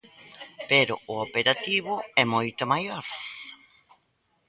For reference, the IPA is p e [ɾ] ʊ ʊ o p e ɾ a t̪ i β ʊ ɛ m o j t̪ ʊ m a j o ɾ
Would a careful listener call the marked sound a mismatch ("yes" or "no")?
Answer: no